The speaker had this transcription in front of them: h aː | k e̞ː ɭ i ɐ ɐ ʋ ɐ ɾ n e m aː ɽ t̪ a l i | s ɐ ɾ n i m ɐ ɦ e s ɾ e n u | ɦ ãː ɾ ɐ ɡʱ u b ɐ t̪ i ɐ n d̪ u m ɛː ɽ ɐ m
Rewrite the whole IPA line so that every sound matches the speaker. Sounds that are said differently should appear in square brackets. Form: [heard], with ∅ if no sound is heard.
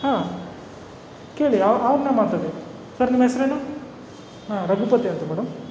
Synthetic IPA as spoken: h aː | k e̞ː ɭ i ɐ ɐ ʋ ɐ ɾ n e m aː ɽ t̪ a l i | s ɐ ɾ n i m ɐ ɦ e s ɾ e n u | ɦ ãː ɾ ɐ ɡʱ u [p] ɐ t̪ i ɐ n [t̪] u m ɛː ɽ ɐ m